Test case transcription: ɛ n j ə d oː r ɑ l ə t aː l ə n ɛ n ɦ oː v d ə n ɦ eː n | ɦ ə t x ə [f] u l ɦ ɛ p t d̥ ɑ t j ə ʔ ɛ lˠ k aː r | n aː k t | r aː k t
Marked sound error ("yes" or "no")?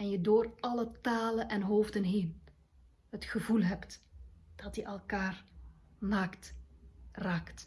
yes